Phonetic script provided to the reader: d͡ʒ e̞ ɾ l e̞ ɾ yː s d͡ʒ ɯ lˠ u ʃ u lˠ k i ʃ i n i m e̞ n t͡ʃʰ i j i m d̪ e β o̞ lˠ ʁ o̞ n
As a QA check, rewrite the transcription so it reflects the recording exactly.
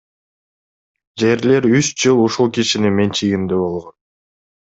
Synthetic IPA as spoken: d͡ʒ e̞ ɾ l e̞ ɾ y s d͡ʒ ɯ lˠ u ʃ u lˠ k i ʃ i n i m e̞ n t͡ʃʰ i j i m d̪ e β o̞ lˠ ʁ o̞ n